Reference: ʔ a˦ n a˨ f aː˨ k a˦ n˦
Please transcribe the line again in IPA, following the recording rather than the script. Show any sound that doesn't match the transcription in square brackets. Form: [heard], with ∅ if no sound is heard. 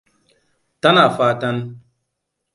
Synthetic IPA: [t] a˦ n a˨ f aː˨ [t] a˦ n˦